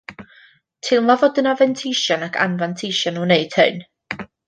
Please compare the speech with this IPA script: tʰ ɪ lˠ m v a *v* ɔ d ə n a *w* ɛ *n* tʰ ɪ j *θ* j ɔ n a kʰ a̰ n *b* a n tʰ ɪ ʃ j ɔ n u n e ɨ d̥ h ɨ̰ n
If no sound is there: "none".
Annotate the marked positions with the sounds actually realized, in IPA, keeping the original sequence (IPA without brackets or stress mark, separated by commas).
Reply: v, v, n, ʃ, v